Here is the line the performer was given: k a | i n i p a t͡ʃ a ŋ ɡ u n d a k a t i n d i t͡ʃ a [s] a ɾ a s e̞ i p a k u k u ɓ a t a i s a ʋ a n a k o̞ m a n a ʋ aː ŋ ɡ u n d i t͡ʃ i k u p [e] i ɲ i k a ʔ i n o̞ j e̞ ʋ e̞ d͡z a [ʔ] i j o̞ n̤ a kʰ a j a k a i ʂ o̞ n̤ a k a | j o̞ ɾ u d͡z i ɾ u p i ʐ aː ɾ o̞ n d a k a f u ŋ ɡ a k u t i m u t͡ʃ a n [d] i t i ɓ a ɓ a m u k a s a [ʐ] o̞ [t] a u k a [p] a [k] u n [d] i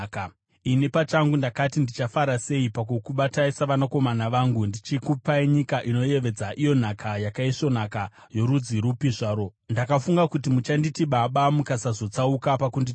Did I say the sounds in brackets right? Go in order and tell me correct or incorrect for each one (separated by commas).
incorrect, incorrect, correct, correct, incorrect, incorrect, correct, correct, correct